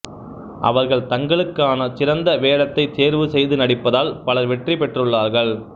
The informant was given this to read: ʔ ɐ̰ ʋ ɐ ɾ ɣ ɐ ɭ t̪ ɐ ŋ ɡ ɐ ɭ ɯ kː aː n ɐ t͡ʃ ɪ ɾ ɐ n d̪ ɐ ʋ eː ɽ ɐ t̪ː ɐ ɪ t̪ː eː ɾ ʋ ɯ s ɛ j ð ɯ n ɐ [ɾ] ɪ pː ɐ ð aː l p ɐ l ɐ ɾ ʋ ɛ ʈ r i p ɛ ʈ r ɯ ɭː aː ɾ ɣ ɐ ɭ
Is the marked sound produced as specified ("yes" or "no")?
no